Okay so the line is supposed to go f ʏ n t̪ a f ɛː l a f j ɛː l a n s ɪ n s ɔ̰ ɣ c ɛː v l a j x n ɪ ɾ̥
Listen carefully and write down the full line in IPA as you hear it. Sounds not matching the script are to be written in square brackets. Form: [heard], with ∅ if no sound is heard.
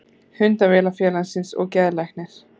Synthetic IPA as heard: [h] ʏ n t̪ a [v] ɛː l a f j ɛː l a n s ɪ n s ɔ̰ ɣ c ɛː [ð] l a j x n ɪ ɾ̥